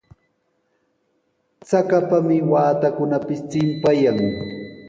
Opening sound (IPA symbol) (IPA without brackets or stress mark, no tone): t͡s